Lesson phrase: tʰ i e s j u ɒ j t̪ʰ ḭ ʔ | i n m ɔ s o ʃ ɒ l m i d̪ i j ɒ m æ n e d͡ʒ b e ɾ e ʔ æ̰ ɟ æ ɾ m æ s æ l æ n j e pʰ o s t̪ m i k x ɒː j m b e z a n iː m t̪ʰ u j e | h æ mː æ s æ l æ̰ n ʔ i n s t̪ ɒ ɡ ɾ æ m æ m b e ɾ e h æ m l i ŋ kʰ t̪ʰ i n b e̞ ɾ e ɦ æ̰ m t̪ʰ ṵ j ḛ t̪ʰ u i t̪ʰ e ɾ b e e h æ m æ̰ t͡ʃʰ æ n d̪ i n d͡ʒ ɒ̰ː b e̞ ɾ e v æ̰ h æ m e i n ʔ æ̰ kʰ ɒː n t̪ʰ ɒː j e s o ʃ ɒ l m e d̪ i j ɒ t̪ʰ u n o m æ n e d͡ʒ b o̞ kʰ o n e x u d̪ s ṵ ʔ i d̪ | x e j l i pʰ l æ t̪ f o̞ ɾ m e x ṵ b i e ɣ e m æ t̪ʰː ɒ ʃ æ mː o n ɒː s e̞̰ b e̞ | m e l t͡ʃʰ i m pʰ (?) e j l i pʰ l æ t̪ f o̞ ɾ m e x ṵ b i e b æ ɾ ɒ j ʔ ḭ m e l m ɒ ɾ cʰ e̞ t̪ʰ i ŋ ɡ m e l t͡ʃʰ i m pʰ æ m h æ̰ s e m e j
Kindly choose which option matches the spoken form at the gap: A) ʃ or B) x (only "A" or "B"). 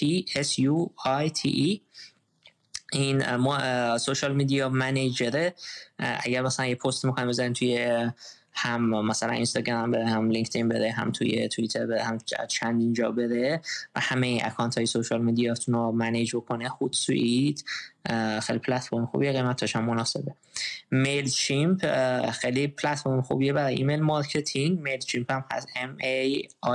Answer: B